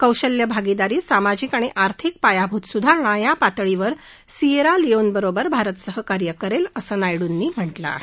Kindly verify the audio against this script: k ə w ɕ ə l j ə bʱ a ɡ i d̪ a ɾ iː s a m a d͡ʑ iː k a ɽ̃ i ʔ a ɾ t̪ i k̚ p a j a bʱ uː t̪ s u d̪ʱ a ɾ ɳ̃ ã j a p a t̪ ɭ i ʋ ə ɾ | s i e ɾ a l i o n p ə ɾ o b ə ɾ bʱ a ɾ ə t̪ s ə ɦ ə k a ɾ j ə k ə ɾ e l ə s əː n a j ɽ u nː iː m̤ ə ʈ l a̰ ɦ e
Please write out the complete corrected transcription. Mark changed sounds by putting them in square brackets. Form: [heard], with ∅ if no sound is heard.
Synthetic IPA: k ə w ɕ ə l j ə bʱ a ɡ i d̪ a ɾ iː s a m a d͡ʑ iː k a ɽ̃ i ʔ a ɾ [t̪ʰ] i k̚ p a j a bʱ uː t̪ s u d̪ʱ a ɾ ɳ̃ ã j a p a t̪ ɭ i ʋ ə ɾ | s i e ɾ a l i o n [b] ə ɾ o b ə ɾ bʱ a ɾ ə t̪ s ə ɦ ə k a ɾ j ə k ə ɾ e l ə s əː n a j ɽ u nː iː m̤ ə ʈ l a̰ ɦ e

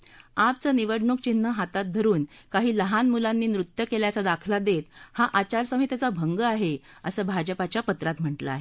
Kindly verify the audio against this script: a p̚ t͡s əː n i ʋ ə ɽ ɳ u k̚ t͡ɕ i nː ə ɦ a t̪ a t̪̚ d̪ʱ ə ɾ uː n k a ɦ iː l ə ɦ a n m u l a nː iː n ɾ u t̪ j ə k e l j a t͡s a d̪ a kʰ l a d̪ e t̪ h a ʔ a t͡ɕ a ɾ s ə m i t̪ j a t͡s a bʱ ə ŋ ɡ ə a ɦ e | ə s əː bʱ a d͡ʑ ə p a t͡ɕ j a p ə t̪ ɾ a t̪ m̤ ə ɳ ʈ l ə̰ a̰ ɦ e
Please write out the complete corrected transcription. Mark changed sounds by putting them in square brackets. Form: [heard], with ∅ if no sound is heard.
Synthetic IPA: a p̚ t͡s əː n i ʋ ə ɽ ɳ u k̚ t͡ɕ i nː ə ɦ a t̪ a t̪̚ d̪ʱ ə ɾ uː n k a ɦ iː l ə ɦ a n m u l a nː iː n ɾ u t̪ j ə k e l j a t͡s a d̪ a kʰ l a d̪ e t̪ h a ʔ a t͡ɕ a ɾ s ə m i t̪ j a t͡s a bʱ ə ŋ ɡ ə a ɦ e | ə s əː bʱ a d͡ʑ ə p a t͡ɕ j a p ə t̪ ɾ a t̪ m̤ ə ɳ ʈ l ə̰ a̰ ɦ e

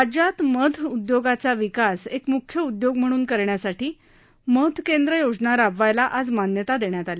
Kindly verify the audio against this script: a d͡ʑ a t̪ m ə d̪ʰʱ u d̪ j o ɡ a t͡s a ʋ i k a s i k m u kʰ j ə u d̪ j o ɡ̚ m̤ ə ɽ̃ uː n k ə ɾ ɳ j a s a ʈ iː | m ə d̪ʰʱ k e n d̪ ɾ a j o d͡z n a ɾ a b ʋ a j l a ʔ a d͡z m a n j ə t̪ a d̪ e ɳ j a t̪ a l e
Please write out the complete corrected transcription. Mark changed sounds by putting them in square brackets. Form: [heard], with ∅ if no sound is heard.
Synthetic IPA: a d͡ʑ a t̪ m ə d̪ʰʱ u d̪ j o ɡ a t͡s a ʋ i k a s [e] k m u kʰ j ə u d̪ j o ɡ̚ m̤ ə ɽ̃ uː n k ə ɾ ɳ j a s a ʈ iː | m ə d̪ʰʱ k e n d̪ ɾ [ə] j o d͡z n a ɾ a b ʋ a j l a ʔ a d͡z m a n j ə t̪ a d̪ e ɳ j a t̪ a l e

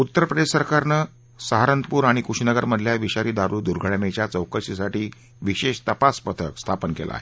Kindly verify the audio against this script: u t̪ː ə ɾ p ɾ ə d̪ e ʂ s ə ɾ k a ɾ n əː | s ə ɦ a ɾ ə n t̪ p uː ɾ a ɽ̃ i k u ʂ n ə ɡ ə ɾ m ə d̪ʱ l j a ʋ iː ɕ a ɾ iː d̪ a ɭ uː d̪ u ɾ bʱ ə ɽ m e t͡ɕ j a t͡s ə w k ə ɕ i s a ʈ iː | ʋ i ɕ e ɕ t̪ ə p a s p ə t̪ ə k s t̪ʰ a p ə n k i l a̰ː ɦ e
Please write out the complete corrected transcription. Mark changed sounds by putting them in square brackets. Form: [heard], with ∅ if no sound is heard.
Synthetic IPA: u t̪ː ə ɾ p ɾ ə d̪ e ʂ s ə ɾ k a ɾ n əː | s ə ɦ a ɾ ə n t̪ p uː ɾ a ɽ̃ i k u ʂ n ə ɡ ə ɾ m ə d̪ʱ l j a ʋ [i] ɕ a ɾ iː d̪ a [ɾ] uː d̪ u ɾ [ɡʱ] ə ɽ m e t͡ɕ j a t͡s ə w k ə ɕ i s a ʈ iː | ʋ i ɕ e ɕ t̪ ə p a s p ə [t̪ʰ] ə k s t̪ʰ a p ə n k [e] l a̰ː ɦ e

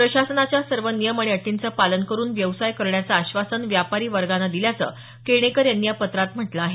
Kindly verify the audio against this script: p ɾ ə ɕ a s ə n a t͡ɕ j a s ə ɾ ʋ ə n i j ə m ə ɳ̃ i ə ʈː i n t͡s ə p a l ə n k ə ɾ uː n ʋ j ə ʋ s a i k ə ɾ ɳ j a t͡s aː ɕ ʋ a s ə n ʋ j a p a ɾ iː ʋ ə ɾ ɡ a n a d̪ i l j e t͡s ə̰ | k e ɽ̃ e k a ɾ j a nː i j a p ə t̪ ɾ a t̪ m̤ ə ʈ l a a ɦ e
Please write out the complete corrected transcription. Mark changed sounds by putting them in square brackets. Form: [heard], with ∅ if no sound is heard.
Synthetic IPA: p ɾ ə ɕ a s ə n a t͡ɕ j a s ə ɾ ʋ ə n i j ə m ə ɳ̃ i ə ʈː i n t͡s ə p a l ə n k ə ɾ uː n ʋ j ə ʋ s a [j] k ə ɾ ɳ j a t͡s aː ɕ ʋ a s ə n ʋ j a p a ɾ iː ʋ ə ɾ ɡ a n a d̪ i l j [a] t͡s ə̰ | k e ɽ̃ e k [ə] ɾ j a nː i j a p ə t̪ ɾ a t̪ m̤ ə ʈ l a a ɦ e

